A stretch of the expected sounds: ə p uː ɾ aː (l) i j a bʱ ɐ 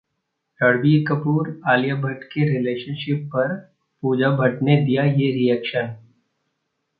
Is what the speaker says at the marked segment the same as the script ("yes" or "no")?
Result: yes